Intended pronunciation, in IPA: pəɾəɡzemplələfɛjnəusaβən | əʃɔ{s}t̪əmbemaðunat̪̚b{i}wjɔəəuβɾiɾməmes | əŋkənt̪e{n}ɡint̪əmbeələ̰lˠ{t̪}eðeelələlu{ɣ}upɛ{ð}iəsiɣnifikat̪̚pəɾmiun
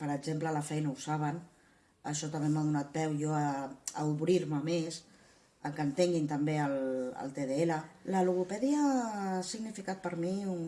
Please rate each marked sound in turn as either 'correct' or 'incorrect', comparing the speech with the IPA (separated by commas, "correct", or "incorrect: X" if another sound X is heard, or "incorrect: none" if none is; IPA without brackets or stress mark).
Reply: incorrect: none, incorrect: ɛ, incorrect: ŋ, correct, correct, correct